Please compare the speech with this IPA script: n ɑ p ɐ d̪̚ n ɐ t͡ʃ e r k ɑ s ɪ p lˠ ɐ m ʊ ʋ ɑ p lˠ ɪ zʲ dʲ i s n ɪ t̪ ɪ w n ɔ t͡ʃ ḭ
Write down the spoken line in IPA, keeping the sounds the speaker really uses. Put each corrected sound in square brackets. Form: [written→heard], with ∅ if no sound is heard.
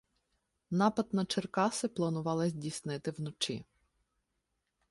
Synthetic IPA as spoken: n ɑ p ɐ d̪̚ n ɐ t͡ʃ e r k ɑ s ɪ p lˠ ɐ [m→n] ʊ ʋ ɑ [p→∅] lˠ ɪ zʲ dʲ i s n ɪ t̪ ɪ w n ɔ t͡ʃ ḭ